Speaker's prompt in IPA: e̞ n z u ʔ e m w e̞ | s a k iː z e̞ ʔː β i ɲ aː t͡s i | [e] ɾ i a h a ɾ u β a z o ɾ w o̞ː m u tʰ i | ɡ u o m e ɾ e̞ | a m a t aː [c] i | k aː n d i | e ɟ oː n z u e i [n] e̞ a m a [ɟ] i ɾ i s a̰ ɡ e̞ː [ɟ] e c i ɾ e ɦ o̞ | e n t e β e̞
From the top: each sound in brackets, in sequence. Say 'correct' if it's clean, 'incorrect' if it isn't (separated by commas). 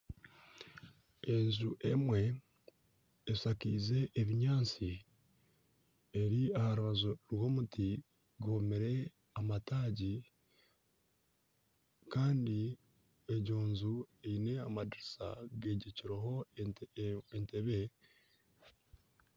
correct, incorrect, correct, incorrect, correct